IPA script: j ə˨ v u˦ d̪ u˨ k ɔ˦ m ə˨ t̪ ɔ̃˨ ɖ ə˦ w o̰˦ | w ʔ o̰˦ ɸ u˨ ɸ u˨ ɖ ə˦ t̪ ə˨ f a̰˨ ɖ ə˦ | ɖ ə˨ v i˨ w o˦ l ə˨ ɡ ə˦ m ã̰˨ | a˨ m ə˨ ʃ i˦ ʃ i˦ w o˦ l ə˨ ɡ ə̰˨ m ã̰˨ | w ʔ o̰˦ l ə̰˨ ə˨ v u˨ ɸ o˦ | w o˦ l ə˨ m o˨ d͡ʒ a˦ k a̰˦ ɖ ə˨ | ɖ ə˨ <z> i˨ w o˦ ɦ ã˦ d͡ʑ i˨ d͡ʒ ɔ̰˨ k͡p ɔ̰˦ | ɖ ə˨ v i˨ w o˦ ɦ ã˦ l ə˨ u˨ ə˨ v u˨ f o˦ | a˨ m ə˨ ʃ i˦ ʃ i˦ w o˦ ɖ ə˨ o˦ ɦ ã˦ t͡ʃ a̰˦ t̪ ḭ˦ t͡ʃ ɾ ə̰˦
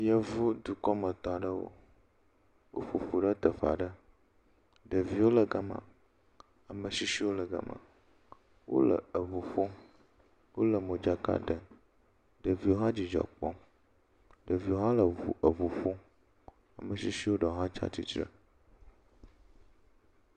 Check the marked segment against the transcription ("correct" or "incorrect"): incorrect